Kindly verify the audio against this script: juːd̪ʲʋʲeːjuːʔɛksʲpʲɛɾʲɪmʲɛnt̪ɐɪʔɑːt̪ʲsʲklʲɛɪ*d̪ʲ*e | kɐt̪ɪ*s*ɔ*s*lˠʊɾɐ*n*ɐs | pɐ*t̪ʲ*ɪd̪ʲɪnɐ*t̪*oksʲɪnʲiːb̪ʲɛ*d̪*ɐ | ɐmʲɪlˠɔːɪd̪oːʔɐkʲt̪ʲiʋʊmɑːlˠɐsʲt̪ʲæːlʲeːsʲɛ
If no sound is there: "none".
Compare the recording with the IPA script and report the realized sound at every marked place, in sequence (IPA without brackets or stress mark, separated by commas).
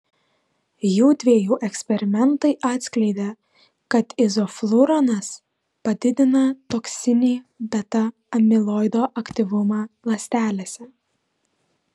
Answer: d̪ʲ, z, f, n, d̪ʲ, t̪, t̪